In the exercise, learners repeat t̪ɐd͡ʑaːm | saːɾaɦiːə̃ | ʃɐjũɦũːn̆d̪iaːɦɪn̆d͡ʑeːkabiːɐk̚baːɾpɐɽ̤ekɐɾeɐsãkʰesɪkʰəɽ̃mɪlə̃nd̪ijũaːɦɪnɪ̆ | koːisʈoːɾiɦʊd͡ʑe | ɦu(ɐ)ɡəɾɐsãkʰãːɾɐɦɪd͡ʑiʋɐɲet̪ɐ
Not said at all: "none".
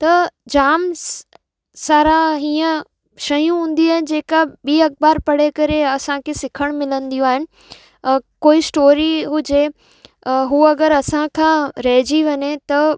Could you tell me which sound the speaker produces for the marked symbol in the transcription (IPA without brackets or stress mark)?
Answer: ɐ